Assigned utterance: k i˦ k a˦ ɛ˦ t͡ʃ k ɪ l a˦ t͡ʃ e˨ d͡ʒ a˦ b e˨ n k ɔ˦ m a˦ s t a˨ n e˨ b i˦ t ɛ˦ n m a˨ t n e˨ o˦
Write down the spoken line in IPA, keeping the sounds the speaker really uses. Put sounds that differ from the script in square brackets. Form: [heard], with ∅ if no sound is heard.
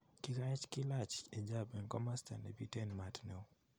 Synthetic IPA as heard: k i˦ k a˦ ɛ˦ t͡ʃ k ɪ l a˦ t͡ʃ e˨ d͡ʒ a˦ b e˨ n k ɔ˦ m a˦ s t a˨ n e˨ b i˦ t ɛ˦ n m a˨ t n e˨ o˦